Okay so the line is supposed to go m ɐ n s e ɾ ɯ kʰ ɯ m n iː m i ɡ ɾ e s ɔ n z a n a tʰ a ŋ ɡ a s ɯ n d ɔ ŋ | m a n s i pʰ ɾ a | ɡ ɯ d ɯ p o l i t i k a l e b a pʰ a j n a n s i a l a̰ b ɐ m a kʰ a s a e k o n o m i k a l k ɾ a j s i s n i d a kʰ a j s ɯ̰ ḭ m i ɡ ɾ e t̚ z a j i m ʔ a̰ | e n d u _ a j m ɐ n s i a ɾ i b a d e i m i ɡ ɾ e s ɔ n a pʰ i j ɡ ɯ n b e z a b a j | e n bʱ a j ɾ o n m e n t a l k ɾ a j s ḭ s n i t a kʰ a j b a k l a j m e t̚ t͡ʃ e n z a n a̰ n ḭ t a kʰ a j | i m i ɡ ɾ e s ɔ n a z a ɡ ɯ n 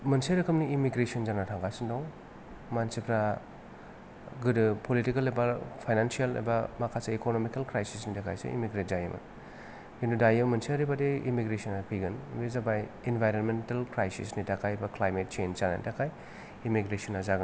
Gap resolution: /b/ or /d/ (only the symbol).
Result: d